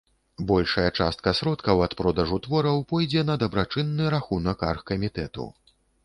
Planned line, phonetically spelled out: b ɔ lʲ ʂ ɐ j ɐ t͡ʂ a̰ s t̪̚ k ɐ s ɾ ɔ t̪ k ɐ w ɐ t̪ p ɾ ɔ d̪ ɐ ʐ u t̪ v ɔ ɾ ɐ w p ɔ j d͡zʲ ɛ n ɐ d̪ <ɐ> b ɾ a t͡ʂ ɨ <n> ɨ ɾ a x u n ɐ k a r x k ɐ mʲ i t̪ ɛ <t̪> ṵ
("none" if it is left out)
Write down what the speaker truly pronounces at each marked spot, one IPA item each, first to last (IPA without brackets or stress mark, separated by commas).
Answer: ɐ, nː, t̪